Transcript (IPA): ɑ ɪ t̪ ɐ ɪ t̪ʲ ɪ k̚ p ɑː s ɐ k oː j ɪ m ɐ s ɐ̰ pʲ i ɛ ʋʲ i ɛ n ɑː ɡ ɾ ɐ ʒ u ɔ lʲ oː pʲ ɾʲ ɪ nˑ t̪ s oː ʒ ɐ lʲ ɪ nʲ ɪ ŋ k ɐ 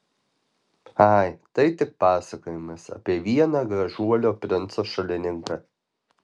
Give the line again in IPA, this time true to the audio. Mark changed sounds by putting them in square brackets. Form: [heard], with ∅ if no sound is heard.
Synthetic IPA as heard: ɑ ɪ t̪ ɐ ɪ t̪ʲ ɪ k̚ p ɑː s ɐ k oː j ɪ m ɐ s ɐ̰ pʲ i ɛ ʋʲ i ɛ n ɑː ɡ ɾ ɐ ʒ u ɔ lʲ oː pʲ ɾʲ ɪ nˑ t̪ s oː [ʃ] ɐ lʲ ɪ nʲ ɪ ŋ k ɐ